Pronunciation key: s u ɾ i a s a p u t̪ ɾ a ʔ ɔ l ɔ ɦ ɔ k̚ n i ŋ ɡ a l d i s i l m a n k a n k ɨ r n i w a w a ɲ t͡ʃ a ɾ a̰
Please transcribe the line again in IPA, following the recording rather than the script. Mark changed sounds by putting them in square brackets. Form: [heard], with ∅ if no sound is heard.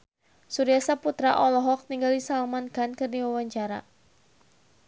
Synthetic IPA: s u ɾ i a s a p u t̪ ɾ a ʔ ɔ l ɔ ɦ ɔ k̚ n i ŋ ɡ a l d i s [a] l m a n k a n k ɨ r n i w a w a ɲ t͡ʃ a ɾ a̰